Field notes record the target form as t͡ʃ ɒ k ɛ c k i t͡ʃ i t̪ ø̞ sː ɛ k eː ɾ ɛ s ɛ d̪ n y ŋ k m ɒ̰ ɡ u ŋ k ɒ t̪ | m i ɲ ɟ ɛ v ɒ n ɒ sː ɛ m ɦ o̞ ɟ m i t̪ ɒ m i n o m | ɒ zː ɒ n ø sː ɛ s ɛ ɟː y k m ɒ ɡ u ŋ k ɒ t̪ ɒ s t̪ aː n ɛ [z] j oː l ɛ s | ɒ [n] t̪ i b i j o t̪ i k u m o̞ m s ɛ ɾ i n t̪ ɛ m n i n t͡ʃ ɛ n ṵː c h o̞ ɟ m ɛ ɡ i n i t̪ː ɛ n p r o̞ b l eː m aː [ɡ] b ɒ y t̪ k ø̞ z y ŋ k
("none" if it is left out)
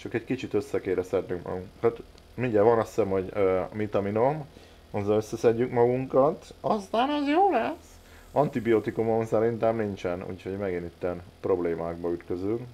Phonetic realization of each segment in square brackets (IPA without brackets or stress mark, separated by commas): z, n, ɡ